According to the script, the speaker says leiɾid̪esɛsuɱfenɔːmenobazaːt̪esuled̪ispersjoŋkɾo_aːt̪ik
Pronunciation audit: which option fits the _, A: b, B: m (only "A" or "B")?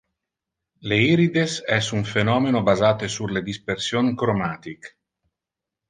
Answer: B